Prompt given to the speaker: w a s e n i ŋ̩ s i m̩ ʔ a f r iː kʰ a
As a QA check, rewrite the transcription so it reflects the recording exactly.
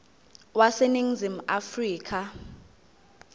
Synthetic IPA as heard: w a s e n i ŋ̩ z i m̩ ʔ a f r iː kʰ a